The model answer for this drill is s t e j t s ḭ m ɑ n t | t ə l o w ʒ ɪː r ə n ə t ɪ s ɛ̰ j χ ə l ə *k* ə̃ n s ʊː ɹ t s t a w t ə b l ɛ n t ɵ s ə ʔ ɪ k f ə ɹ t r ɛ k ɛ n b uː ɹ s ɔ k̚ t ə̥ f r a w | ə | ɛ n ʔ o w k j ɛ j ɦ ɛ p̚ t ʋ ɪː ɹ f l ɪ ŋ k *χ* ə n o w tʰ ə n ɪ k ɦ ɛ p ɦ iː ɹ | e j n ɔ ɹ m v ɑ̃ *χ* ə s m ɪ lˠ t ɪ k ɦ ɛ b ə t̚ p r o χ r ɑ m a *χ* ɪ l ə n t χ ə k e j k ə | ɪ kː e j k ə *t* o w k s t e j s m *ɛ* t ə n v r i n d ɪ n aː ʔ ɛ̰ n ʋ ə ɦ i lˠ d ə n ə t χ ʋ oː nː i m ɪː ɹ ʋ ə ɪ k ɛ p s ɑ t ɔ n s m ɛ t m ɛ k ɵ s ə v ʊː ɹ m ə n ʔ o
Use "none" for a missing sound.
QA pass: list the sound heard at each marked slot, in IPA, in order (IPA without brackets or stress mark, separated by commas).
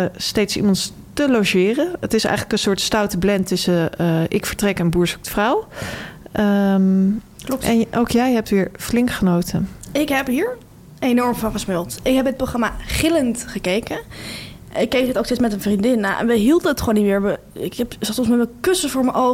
k, χ, χ, χ, t, ɛ